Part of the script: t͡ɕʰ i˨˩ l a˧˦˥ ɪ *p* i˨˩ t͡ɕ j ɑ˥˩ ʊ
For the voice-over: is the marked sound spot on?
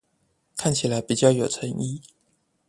yes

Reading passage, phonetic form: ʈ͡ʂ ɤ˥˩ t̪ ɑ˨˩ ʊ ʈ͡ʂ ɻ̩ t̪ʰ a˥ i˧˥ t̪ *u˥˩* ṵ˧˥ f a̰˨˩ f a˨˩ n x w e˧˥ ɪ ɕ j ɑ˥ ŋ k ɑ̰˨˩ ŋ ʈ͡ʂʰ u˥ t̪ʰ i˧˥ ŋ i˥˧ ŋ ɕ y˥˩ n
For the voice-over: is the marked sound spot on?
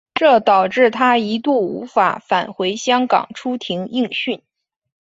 yes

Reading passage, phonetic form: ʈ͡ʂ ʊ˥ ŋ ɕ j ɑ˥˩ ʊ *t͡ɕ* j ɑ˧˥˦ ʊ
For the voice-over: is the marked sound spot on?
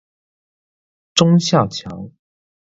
no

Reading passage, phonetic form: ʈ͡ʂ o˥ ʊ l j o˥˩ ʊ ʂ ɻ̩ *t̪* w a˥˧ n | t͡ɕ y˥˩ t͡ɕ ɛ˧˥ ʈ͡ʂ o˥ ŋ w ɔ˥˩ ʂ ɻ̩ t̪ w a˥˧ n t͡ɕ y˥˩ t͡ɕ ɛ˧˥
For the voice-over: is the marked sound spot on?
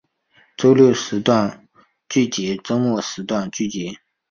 yes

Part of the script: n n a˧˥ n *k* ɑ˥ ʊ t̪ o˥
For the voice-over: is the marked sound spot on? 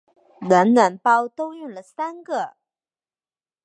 no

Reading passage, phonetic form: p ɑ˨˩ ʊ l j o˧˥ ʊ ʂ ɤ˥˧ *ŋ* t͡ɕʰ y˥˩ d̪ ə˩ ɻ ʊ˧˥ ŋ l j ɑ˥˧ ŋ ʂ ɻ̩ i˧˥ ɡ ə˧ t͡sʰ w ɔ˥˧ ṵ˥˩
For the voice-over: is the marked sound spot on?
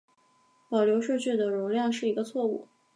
no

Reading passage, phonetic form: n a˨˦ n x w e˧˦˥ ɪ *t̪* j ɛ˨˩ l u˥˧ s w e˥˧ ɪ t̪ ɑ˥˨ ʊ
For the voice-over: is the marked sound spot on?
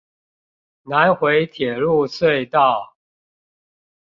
no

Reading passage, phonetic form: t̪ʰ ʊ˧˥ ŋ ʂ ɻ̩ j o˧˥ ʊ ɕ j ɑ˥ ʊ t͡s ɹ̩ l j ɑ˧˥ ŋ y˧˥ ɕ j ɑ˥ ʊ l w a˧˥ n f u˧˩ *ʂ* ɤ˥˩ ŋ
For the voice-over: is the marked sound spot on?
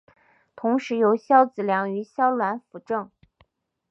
no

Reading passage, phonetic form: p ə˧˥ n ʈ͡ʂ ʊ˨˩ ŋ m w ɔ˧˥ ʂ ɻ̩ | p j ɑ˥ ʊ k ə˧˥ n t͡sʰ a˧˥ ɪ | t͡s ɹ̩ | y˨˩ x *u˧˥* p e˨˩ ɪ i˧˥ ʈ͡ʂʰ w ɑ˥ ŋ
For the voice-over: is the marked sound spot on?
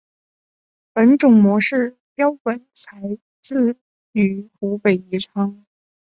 yes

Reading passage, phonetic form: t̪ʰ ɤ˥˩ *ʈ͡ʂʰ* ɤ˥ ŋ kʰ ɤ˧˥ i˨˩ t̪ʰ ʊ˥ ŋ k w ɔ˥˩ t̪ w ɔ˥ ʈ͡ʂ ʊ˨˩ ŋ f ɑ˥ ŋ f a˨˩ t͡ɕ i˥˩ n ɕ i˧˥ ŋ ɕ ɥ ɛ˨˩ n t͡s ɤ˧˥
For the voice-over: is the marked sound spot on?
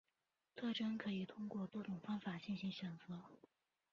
no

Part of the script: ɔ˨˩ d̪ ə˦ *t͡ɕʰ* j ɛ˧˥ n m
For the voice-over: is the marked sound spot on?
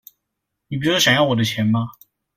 yes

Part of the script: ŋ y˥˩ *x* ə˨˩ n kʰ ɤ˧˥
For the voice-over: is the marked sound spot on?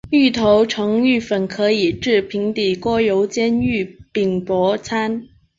no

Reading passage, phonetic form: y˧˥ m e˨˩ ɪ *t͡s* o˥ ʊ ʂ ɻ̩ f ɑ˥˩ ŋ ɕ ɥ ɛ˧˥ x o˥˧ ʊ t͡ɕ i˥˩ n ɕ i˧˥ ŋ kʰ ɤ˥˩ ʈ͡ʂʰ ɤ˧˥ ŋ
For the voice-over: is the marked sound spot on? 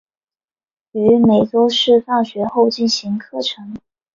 yes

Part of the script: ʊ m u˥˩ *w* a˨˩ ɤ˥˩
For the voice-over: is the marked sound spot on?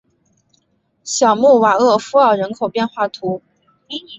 yes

